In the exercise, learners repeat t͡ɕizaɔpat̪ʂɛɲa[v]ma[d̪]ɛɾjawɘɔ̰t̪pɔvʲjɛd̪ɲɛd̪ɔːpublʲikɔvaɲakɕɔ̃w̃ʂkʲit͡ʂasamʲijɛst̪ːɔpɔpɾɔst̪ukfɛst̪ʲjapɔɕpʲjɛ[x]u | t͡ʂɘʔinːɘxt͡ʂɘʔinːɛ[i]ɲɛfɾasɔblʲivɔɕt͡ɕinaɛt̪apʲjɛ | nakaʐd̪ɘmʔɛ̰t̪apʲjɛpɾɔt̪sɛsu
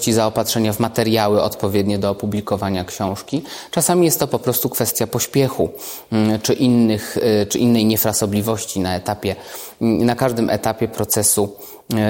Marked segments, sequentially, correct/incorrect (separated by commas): correct, incorrect, correct, incorrect